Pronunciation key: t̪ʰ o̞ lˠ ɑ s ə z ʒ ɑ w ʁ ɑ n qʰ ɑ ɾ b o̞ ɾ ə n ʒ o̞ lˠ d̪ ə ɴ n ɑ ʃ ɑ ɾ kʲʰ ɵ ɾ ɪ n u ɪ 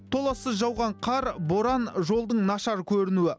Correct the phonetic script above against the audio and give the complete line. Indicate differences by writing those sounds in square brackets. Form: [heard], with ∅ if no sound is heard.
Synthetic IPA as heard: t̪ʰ o̞ lˠ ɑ s ə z ʒ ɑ w ʁ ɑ [ɴ] qʰ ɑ ɾ b o̞ ɾ [ɑ] n ʒ o̞ lˠ d̪ ə ɴ n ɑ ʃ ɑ ɾ kʲʰ ɵ ɾ ɪ n u ɪ